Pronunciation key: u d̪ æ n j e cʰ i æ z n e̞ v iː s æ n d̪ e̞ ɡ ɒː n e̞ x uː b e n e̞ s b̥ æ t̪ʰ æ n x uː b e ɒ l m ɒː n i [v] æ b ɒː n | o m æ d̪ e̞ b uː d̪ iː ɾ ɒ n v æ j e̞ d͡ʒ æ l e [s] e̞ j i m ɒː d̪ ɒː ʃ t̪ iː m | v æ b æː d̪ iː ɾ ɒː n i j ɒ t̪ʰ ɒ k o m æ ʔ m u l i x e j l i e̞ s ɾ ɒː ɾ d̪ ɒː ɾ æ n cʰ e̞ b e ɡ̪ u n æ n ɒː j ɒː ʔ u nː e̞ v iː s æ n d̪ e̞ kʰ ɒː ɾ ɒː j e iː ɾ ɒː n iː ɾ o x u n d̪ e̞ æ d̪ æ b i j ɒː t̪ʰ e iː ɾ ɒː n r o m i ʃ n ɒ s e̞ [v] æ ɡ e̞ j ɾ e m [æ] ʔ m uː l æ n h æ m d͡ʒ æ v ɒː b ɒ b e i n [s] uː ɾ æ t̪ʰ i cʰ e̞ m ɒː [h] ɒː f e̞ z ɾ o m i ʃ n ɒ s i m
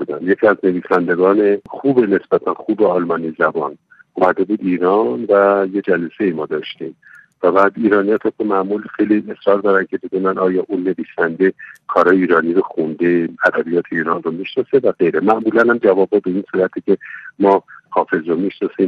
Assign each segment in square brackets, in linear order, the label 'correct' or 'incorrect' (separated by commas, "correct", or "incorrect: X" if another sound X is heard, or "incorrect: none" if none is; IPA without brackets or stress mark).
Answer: incorrect: z, correct, correct, correct, correct, correct